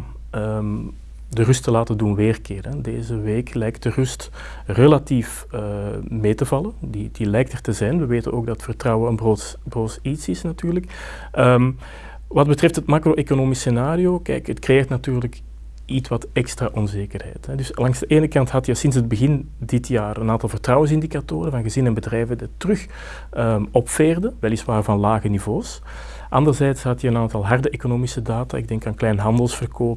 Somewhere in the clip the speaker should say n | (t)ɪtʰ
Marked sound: incorrect: d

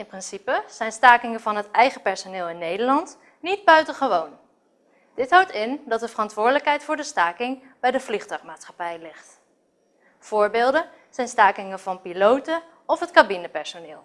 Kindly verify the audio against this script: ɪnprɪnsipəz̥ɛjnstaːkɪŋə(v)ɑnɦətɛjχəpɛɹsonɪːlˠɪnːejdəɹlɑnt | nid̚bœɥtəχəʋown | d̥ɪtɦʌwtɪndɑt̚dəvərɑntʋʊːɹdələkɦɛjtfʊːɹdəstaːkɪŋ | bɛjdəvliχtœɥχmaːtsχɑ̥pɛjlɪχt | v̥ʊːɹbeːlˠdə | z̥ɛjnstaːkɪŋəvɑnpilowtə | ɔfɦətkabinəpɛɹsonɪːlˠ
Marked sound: correct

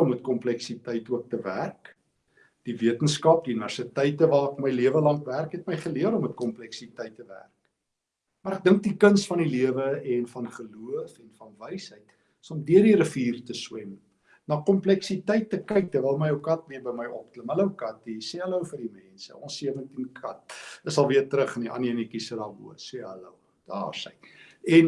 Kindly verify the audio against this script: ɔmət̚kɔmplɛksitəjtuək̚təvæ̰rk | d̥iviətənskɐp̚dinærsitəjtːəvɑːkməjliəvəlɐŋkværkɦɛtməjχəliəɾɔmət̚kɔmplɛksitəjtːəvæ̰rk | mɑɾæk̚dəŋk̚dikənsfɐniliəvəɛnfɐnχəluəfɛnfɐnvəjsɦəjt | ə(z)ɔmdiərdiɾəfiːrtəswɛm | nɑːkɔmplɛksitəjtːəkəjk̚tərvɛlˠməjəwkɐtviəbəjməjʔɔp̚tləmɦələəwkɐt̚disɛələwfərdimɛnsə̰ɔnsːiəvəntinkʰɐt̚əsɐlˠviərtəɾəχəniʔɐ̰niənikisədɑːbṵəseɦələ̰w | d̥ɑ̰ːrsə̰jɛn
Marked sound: incorrect: s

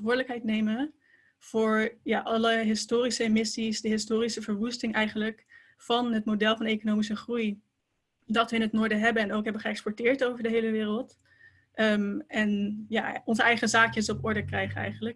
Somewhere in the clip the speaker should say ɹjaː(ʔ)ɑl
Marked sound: correct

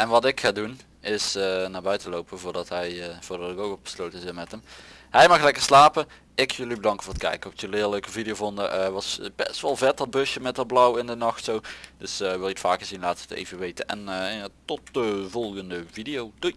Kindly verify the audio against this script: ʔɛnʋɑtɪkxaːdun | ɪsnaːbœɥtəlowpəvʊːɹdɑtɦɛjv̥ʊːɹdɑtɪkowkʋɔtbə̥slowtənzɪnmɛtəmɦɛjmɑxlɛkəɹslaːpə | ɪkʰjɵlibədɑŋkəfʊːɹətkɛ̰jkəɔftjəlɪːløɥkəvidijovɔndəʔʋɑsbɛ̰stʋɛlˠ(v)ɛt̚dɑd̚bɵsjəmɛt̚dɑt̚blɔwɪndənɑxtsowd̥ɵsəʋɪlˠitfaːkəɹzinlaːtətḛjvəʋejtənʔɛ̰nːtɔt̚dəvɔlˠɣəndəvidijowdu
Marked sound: correct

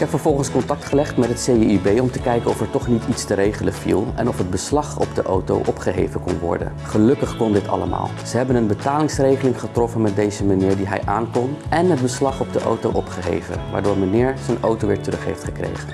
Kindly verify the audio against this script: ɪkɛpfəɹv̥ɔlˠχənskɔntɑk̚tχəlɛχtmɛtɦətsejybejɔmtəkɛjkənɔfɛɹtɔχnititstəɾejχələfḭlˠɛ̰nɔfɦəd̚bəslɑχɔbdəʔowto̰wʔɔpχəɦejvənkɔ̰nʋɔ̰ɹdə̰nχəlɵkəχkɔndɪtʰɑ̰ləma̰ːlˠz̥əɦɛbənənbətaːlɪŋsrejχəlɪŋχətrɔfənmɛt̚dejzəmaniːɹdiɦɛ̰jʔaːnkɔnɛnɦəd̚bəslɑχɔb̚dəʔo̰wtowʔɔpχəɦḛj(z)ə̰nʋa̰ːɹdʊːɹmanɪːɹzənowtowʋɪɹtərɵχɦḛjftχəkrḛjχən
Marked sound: incorrect: v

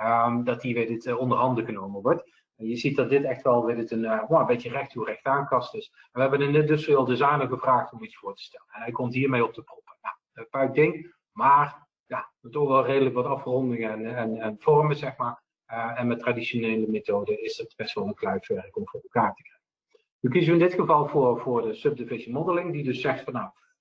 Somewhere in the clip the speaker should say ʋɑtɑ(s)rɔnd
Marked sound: incorrect: f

